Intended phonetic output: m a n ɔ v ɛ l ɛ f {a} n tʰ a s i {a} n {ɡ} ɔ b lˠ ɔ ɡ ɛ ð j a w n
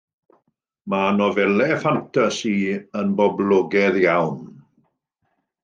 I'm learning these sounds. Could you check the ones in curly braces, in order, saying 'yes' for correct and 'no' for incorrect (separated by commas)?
yes, no, no